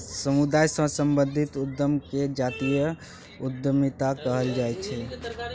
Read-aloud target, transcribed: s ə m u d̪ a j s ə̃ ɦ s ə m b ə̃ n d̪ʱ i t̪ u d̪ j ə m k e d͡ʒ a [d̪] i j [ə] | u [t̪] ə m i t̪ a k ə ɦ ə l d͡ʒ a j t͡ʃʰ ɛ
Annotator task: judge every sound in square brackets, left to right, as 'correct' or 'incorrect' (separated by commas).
incorrect, correct, incorrect